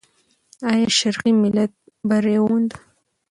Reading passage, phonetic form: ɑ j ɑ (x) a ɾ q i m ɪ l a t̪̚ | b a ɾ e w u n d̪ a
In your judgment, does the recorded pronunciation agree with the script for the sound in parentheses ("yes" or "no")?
no